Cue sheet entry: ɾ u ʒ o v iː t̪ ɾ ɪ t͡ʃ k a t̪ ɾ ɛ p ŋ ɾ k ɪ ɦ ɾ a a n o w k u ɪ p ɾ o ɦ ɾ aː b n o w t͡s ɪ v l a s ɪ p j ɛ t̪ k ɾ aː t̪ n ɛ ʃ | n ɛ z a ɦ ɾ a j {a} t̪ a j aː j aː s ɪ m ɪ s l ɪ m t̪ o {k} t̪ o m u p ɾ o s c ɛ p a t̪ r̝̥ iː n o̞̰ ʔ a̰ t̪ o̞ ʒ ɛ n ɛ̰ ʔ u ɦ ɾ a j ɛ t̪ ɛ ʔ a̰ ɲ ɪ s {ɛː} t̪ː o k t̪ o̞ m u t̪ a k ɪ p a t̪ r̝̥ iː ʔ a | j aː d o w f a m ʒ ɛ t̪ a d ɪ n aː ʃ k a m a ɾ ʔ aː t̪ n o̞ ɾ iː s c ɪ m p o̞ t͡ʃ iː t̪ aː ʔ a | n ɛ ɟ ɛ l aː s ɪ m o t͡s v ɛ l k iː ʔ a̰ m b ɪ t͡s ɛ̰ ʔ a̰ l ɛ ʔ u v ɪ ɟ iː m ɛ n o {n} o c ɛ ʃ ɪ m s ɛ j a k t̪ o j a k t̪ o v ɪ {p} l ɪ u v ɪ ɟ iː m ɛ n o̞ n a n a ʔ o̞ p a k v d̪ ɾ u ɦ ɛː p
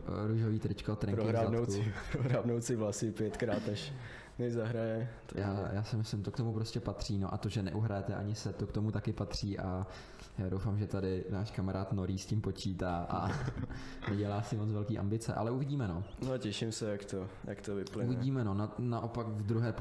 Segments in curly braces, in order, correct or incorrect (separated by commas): incorrect, correct, incorrect, correct, correct